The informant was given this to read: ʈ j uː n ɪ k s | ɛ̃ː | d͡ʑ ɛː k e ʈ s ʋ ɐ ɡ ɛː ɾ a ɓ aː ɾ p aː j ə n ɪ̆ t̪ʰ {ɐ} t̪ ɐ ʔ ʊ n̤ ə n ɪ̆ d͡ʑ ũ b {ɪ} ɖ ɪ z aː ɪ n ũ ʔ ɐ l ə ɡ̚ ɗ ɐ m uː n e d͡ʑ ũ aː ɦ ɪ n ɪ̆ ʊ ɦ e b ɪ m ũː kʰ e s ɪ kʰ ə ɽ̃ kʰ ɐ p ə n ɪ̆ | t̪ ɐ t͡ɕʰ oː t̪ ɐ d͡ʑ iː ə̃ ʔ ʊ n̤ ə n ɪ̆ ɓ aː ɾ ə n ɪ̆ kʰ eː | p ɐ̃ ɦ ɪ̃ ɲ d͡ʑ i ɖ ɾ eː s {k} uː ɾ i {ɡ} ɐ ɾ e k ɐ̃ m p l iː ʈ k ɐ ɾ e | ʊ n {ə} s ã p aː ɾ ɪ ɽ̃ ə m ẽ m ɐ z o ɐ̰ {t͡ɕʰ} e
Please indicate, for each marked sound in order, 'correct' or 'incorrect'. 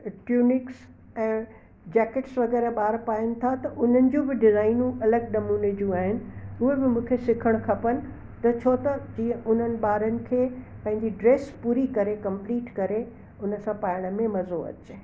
incorrect: a, correct, incorrect: p, incorrect: k, correct, incorrect: t͡ɕ

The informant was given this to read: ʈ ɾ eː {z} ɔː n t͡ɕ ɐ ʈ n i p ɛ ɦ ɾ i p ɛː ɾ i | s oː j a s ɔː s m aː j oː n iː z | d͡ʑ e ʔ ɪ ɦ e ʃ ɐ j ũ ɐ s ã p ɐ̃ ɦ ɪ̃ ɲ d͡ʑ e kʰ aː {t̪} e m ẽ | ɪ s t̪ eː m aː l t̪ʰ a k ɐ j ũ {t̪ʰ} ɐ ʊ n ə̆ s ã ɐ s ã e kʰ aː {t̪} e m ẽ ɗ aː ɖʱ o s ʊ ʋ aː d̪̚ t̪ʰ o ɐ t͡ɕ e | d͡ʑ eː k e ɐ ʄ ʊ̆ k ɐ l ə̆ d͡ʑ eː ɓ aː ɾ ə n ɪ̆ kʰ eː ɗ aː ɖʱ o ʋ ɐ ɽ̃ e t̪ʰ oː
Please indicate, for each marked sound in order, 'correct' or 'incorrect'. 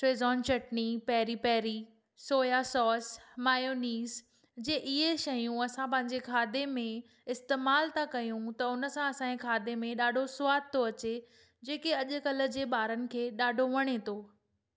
correct, incorrect: d̪, incorrect: t̪, incorrect: d̪

